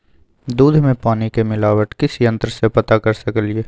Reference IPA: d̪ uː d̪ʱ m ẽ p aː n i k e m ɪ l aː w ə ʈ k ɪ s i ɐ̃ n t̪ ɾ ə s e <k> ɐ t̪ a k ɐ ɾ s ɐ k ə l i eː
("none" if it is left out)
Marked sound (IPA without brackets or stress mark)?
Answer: p